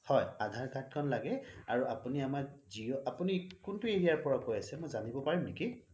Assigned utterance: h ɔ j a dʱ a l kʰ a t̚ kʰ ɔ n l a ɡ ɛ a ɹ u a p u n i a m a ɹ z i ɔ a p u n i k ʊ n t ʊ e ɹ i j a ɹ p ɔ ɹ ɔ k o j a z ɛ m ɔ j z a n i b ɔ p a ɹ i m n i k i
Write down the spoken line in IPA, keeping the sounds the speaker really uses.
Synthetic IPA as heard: h ɔ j a dʱ a ɹ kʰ a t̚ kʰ ɔ n l a ɡ ɛ a ɹ u a p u n i a m a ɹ z i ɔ a p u n i k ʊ n t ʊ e ɹ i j a ɹ p ɔ ɹ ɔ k o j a s ɛ m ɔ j z a n i b ɔ p a ɹ i m n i k i